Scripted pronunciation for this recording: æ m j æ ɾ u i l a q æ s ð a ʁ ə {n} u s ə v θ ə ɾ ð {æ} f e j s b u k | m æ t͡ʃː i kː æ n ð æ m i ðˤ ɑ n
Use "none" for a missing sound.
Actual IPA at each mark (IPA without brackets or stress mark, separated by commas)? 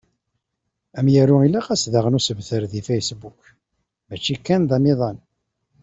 n, i